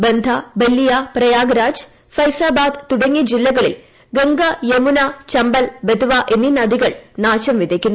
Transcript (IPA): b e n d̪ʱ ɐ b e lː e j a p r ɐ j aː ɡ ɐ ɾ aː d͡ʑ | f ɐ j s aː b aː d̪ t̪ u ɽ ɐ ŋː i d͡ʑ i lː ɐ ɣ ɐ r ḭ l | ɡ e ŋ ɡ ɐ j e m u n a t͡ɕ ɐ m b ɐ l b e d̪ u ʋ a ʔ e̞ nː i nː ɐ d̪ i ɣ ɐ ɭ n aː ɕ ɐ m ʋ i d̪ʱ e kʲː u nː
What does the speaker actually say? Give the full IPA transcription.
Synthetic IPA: b e n d̪ʱ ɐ b e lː i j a p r ɐ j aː ɡ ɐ ɾ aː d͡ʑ | f ɐ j s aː b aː d̪ t̪ u ɽ ɐ ŋː i d͡ʑ i lː ɐ ɣ ɐ ɭ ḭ l | ɡ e ŋ ɡ ɐ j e m u n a t͡ɕ ɐ m b ɐ l b e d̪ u ʋ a ʔ e̞ nː i n ɐ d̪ i ɣ ɐ ɭ n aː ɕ ɐ m ʋ i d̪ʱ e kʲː u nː

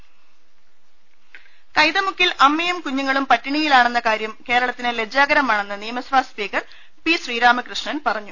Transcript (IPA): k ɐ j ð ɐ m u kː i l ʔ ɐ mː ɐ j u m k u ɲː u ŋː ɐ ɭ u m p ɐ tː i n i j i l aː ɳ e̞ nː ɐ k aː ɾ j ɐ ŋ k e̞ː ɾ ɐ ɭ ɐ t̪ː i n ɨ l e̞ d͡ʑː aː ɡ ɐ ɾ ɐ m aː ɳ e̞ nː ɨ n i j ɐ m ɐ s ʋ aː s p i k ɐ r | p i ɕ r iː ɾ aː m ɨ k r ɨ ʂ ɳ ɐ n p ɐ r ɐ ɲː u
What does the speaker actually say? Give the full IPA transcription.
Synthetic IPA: k ɐ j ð ɐ m u kː i l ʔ ɐ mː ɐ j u m k u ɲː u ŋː ɐ ɭ u m p ɐ tː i ɳ i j i l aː ɳ e̞ nː ɐ k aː ɾ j ɐ m k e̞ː ɾ ɐ ɭ ɐ t̪ː i n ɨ l e̞ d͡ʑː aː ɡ ɐ ɾ ɐ m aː ɳ e̞ nː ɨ n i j ɐ m ɐ s ʋ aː s p iː k ɐ r | p i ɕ r iː ɾ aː m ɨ k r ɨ ʂ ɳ ɐ n p ɐ r ɐ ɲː u

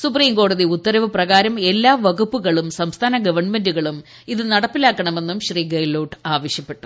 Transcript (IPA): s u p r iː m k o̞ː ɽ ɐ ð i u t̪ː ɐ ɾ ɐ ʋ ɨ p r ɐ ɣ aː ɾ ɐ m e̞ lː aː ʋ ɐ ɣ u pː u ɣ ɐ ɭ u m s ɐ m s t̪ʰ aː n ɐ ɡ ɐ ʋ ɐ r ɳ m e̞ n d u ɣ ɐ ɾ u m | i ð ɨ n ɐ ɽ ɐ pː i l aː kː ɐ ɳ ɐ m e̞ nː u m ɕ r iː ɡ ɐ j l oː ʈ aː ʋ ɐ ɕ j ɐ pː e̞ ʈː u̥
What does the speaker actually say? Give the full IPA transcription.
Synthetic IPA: s u p r iː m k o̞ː ɽ ɐ ð i u t̪ː ɐ ɾ ɐ ʋ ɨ p r ɐ ɣ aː ɾ ɐ m e̞ lː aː ʋ ɐ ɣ u pː u ɣ ɐ ɭ u m s ɐ m s t̪ʰ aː n ɐ ɡ ɐ ʋ ɐ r ɳ m e̞ n d u ɣ ɐ ɭ u m | i ð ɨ n ɐ ɽ ɐ pː i l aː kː ɐ ɳ ɐ m e̞ nː u m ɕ r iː ɡ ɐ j l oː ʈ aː ʋ ɐ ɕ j ɐ pː e̞ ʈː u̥

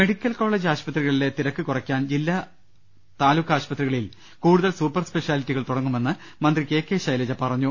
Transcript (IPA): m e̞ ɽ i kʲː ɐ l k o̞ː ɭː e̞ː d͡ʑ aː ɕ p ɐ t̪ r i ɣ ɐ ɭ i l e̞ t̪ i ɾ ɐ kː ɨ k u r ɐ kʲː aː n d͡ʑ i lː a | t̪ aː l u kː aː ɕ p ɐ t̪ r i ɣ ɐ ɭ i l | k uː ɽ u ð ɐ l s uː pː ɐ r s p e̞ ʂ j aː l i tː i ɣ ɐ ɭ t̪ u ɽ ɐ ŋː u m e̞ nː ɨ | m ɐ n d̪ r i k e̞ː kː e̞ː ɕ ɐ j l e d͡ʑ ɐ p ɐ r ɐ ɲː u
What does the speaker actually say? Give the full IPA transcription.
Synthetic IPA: m e̞ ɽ i kʲː ɐ l k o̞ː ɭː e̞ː d͡ʑ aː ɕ p ɐ t̪ r i ɣ ɐ ɭ i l e̞ t̪ i ɾ ɐ kː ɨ k u r ɐ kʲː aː n d͡ʑ i lː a | t̪ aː l u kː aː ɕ p ɐ t̪ r i ɣ ɐ ɭ i l | k uː ɽ u ð ɐ l s uː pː ɐ r s p e̞ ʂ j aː l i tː i ɣ ɐ ɭ t̪ u ɽ ɐ ŋː u m e̞ nː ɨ | m ɐ n d̪ r i k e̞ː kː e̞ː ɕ ɐ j l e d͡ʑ ɐ p ɐ r ɐ ɲː u

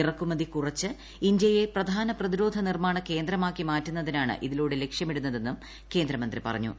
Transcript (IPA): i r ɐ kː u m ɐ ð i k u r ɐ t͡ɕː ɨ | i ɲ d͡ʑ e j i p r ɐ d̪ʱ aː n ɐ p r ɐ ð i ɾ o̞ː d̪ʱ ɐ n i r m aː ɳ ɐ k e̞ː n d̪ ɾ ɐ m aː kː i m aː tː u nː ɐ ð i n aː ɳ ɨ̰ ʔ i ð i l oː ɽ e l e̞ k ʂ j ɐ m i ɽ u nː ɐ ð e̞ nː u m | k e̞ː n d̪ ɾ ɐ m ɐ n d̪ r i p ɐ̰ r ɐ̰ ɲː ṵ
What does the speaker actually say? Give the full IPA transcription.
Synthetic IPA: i r ɐ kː u m ɐ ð i k u r ɐ t͡ɕː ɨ | i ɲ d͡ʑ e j e p r ɐ d̪ʱ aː n ɐ p r ɐ ð i ɾ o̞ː d̪ʱ ɐ n i r m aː ɳ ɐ k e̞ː n d̪ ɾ ɐ m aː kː i m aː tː u nː ɐ ð i n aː ɳ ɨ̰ ʔ i ð i l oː ɽ e l e̞ k ʂ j ɐ m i ɽ u nː ɐ ð e̞ nː u m | k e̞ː n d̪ ɾ ɐ m ɐ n d̪ r i p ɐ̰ r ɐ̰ ɲː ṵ

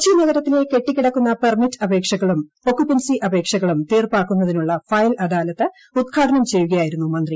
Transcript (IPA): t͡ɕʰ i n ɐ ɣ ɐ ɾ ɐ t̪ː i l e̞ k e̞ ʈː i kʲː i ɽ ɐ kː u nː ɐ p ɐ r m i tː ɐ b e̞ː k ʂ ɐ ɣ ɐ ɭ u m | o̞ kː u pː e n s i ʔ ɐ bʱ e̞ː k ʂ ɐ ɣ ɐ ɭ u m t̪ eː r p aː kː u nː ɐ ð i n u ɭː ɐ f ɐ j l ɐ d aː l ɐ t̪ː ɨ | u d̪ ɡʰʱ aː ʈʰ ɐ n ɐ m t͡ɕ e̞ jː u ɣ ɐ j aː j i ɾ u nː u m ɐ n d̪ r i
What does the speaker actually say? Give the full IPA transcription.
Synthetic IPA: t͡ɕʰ i n ɐ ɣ ɐ ɾ ɐ t̪ː i l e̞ k e̞ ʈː i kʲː i ɽ ɐ kː u nː ɐ p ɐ r m i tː ɐ b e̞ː k ʂ ɐ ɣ ɐ ɭ u m | o̞ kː u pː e n s i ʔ ɐ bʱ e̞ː k ʂ ɐ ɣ ɐ ɭ u m t̪ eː r p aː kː u nː ɐ ð i n u ɭː ɐ f ɐ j l ɐ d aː l ɐ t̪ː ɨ | u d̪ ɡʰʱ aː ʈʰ ɐ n ɐ m t͡ɕ e̞ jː u ɣ ɐ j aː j i ɾ u nː u m ɐ n d̪ r i

